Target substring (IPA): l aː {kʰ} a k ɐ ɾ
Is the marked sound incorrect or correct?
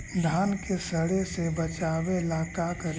incorrect: k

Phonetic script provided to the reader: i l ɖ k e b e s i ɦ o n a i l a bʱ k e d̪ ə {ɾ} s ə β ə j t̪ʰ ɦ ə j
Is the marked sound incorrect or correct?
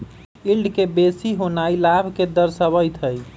correct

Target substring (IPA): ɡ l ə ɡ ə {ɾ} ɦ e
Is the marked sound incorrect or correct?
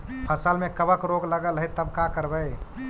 incorrect: l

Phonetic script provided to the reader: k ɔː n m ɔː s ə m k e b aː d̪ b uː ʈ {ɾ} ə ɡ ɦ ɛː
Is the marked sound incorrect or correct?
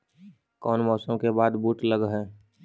incorrect: l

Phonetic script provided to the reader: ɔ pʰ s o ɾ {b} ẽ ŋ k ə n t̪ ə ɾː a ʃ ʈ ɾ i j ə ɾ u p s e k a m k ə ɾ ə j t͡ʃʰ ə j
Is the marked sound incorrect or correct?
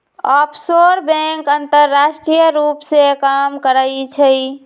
correct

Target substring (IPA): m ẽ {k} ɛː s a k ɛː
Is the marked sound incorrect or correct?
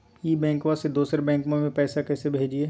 incorrect: p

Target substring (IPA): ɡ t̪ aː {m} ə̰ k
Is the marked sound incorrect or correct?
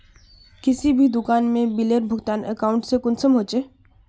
incorrect: n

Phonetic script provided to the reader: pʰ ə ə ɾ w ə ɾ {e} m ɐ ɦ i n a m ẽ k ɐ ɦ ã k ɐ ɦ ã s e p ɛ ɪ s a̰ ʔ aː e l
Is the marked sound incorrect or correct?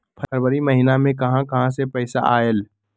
incorrect: i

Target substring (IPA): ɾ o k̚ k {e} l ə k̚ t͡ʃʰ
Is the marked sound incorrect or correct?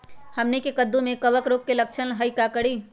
correct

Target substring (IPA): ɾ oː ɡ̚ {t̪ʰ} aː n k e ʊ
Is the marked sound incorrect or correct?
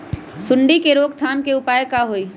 correct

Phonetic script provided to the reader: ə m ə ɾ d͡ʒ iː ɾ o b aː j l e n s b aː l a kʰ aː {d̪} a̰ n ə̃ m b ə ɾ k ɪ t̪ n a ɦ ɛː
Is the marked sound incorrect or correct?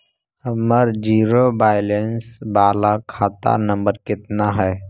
incorrect: t̪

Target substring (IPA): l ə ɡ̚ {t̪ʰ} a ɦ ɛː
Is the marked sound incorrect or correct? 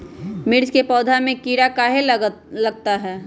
incorrect: t̪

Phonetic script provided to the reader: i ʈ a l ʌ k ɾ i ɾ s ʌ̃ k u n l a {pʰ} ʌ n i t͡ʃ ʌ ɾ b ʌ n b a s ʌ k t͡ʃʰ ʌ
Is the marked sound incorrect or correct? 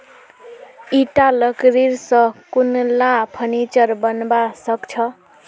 correct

